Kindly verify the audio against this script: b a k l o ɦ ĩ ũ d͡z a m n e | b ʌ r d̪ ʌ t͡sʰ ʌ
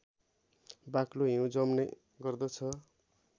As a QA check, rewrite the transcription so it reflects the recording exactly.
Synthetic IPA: b a k l o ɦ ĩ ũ d͡z ʌ m n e | ɡ ʌ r d̪ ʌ t͡sʰ ʌ